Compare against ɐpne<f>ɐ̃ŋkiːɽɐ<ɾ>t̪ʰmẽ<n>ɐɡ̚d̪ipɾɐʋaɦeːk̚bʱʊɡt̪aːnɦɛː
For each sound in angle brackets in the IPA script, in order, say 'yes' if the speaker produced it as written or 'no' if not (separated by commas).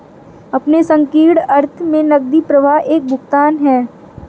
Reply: no, yes, yes